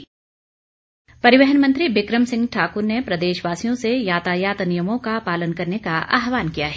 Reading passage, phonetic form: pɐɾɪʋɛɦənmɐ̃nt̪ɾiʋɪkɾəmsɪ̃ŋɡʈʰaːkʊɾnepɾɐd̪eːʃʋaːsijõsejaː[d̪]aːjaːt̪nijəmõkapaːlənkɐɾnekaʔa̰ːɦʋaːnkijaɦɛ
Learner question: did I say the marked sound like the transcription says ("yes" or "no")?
no